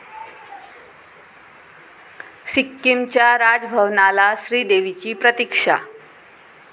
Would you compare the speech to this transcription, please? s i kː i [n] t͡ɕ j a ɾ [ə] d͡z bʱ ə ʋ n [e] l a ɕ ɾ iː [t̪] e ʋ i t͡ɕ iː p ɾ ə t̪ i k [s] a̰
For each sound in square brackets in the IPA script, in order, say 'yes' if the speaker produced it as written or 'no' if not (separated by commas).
no, no, no, no, no